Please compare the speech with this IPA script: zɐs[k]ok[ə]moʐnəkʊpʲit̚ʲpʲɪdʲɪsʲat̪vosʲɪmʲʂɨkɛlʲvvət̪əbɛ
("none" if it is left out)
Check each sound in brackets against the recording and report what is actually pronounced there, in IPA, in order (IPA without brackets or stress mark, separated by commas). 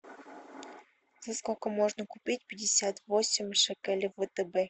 k, ə